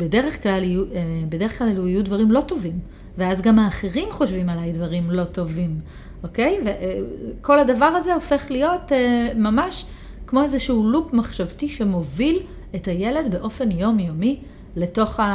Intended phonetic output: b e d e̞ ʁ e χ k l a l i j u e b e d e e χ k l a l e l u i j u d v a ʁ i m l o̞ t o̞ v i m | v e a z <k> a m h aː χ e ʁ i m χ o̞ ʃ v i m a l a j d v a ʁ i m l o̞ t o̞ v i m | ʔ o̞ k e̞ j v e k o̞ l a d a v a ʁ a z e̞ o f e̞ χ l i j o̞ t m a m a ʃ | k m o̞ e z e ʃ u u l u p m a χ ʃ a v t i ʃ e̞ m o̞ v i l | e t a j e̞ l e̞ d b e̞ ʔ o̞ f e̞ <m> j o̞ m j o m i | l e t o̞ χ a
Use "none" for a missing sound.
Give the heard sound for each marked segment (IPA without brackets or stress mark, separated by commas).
ɡ, n